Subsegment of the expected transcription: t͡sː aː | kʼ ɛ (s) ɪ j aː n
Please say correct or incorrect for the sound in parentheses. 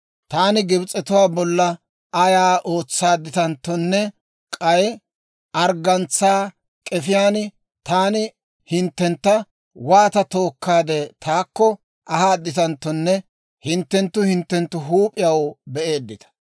incorrect